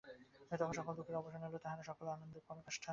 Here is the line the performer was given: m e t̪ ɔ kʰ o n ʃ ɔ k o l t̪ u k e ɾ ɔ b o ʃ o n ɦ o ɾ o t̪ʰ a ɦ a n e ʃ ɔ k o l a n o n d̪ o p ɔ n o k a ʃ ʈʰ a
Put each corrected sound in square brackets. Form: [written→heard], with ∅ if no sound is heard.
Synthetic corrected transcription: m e t̪ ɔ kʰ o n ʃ ɔ k o l [t̪→d̪] u k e ɾ ɔ b o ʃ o n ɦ o [ɾ→l] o [t̪ʰ→t̪] a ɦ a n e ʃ ɔ k o l a n o n d̪ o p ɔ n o k a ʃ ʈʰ a